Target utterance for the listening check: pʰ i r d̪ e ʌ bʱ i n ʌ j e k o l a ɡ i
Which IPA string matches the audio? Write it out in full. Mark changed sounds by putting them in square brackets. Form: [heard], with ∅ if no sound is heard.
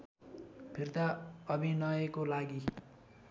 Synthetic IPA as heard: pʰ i r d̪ [a] ʌ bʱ i n ʌ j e k o l a ɡ i